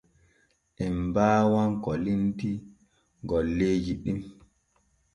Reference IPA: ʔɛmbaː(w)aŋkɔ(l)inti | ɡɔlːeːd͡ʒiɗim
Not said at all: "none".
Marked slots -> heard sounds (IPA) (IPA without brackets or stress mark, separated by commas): w, l